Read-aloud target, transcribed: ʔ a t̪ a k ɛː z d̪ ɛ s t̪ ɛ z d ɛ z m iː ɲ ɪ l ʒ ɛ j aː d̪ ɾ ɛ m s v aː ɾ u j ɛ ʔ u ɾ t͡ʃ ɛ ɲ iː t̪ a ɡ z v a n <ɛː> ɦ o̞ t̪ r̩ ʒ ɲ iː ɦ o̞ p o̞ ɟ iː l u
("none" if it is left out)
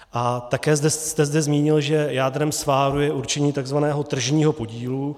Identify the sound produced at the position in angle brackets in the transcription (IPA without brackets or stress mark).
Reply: ɛː